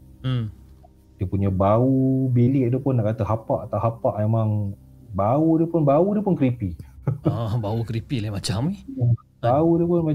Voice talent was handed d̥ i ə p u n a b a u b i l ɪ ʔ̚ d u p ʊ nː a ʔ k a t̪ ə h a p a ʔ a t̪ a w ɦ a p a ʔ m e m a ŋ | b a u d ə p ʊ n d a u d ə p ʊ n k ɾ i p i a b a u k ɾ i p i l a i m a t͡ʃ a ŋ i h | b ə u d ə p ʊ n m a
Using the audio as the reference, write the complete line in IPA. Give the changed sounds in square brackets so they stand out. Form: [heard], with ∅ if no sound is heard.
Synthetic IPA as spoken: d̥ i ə p u [ɲ] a b a u b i l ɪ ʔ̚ d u p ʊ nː a ʔ k a t̪ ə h a p a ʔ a t̪ a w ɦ a p a ʔ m e m a ŋ | b a u d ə p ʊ n [b] a u d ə p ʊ n k ɾ i p i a b a u k ɾ i p i l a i m a t͡ʃ a [m] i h | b [a] u d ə p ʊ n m a